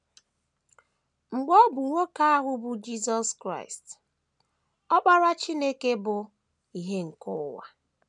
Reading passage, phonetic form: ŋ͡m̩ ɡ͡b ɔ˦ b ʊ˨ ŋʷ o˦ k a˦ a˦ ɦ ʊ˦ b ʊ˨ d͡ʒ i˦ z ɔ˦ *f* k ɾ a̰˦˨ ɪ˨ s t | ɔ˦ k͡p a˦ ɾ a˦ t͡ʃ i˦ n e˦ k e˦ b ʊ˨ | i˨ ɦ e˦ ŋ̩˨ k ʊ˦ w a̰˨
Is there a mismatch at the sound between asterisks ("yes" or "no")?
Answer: yes